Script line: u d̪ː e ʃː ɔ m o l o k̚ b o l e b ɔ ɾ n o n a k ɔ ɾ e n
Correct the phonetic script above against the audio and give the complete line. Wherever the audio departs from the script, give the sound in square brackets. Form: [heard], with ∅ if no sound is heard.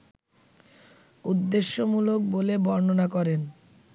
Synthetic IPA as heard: u d̪ː e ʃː [o] m [u] l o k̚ b o l e b ɔ ɾ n o n a k ɔ ɾ e n